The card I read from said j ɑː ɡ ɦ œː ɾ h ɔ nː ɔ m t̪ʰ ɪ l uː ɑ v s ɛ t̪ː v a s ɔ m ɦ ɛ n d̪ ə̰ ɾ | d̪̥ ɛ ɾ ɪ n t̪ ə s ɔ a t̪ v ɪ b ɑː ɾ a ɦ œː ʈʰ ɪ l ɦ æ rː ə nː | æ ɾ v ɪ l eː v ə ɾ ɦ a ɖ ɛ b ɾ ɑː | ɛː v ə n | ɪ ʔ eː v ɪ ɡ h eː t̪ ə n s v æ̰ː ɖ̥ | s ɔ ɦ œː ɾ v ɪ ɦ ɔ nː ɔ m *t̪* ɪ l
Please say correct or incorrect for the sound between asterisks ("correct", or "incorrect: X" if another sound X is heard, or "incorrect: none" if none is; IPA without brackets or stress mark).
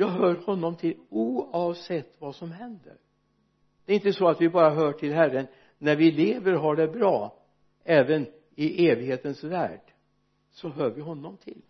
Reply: incorrect: t̪ʰ